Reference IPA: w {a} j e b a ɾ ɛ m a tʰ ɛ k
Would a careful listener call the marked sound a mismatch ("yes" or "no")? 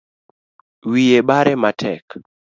yes